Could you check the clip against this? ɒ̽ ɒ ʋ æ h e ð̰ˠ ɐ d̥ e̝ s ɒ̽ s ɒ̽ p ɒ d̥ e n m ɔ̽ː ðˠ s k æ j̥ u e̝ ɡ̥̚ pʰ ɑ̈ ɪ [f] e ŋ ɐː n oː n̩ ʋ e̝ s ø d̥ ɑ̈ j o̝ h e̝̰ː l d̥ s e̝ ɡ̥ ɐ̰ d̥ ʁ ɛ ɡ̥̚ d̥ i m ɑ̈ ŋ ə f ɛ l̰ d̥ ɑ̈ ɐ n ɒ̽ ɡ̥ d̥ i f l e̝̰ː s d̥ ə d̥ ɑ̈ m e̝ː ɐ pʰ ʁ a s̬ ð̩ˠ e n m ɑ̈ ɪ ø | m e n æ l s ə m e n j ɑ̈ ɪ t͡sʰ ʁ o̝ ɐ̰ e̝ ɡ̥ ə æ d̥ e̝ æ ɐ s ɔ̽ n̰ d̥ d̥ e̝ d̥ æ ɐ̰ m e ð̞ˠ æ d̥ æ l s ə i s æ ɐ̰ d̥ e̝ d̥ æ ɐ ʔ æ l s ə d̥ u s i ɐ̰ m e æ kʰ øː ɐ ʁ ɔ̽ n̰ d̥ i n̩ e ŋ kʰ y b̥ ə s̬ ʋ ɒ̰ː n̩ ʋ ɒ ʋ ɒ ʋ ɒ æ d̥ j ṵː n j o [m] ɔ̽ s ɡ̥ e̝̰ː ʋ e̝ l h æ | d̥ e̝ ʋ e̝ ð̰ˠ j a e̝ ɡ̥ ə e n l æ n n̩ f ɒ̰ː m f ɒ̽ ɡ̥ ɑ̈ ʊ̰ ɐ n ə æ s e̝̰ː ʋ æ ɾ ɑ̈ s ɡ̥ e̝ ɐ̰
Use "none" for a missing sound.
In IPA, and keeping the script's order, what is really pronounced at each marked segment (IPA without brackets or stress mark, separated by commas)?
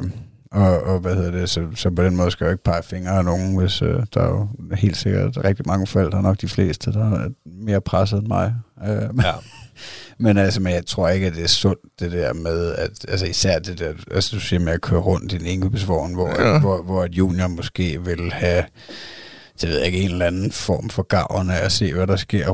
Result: f, m